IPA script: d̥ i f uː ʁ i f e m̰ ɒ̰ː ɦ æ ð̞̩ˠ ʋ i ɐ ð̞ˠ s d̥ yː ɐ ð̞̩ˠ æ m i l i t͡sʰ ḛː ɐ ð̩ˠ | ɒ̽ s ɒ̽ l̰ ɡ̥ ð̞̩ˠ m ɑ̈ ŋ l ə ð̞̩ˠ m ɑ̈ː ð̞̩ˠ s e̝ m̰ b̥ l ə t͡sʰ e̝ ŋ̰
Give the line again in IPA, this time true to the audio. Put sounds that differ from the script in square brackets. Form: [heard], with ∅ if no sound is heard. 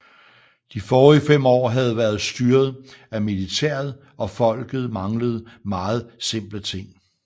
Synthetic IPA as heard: d̥ i f [ɒː] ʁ i f e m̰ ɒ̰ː ɦ æ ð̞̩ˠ ʋ [æ] ɐ ð̞ˠ s d̥ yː ɐ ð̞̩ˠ æ m i l i t͡sʰ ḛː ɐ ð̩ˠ | ɒ̽ [f] ɒ̽ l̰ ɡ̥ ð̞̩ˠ m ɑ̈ ŋ l ə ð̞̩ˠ m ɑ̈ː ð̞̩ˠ s e̝ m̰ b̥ l ə t͡sʰ e̝ ŋ̰